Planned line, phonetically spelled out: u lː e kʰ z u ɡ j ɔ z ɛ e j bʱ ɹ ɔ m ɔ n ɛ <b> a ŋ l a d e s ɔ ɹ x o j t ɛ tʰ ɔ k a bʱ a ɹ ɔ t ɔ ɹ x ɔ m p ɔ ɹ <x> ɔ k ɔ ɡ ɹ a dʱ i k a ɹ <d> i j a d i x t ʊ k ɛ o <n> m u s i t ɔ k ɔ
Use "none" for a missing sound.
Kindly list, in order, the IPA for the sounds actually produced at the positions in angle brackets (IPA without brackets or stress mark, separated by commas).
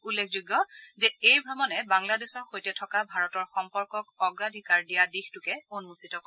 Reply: b, k, d, n